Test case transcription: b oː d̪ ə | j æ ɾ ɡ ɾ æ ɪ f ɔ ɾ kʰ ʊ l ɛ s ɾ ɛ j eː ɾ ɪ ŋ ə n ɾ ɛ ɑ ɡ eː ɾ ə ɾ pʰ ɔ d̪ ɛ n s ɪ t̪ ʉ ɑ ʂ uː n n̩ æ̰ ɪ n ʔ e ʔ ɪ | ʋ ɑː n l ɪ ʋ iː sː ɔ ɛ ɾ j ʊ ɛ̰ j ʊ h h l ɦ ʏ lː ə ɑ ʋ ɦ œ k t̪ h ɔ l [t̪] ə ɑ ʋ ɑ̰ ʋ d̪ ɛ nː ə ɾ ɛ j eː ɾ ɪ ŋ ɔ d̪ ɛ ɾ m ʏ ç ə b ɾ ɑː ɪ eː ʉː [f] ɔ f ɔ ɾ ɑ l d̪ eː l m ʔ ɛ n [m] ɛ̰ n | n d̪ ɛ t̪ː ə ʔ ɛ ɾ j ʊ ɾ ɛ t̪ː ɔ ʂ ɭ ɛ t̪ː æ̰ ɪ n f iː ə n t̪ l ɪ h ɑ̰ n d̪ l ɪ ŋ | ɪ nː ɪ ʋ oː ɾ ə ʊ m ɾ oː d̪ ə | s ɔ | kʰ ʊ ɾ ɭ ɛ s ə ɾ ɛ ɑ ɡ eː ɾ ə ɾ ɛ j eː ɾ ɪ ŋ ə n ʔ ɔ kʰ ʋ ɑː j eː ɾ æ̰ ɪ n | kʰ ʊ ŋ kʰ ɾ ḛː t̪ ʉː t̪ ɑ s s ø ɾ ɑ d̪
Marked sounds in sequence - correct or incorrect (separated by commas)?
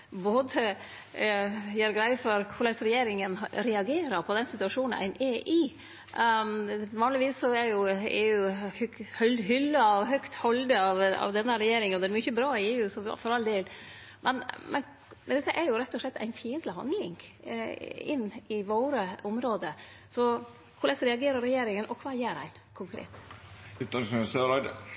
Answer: incorrect, incorrect, correct